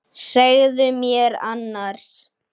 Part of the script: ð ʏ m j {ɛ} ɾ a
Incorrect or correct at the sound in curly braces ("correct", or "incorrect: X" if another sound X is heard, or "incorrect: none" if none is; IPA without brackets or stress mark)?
correct